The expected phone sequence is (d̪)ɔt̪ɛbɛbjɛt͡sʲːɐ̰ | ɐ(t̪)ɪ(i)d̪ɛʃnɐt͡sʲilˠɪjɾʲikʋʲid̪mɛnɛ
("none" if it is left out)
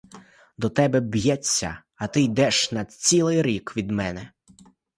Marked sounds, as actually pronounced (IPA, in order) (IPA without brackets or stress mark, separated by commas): d̪, t̪, j